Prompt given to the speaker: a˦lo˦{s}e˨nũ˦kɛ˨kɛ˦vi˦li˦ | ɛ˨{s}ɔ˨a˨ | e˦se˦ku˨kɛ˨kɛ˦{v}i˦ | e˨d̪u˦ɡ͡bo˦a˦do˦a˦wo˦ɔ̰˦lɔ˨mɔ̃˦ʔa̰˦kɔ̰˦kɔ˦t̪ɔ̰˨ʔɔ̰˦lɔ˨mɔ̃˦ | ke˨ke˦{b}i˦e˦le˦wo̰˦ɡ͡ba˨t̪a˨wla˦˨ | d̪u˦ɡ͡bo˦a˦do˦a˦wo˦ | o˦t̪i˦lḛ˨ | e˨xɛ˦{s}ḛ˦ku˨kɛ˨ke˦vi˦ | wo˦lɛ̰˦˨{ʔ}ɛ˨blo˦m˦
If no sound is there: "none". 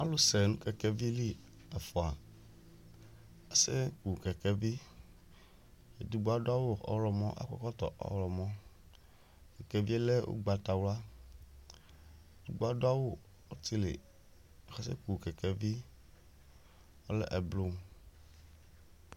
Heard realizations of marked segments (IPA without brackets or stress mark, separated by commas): s, f, v, v, s, ʔ